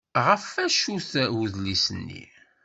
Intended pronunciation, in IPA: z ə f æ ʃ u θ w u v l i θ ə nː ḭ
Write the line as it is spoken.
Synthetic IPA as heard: ʁ ə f æ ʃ u θ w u ð l i s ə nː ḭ